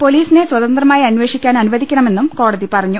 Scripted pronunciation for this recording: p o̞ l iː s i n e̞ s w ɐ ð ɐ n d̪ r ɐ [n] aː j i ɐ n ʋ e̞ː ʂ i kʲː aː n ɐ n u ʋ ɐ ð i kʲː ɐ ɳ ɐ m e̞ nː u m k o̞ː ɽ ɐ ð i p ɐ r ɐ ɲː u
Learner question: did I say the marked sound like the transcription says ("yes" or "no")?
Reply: no